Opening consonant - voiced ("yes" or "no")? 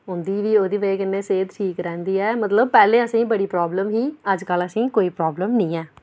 yes